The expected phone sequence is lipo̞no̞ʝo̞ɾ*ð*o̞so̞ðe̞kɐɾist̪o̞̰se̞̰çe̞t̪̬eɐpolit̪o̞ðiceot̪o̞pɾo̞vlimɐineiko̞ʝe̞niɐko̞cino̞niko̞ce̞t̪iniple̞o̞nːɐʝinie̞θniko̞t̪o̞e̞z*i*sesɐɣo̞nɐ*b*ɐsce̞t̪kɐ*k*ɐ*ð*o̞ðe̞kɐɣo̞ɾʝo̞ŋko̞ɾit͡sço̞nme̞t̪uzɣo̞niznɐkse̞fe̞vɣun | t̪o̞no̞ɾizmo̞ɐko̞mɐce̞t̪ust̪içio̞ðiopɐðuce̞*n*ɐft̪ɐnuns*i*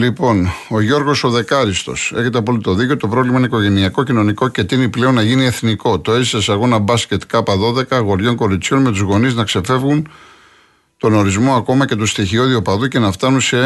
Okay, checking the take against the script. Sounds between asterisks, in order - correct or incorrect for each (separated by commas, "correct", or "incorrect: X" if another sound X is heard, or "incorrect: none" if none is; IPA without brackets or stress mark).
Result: incorrect: ɣ, correct, correct, incorrect: p, correct, correct, incorrect: e